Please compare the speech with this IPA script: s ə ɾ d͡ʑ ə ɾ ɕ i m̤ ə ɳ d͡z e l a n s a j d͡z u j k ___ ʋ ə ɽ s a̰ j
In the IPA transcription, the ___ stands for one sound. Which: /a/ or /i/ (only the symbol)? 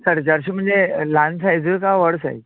a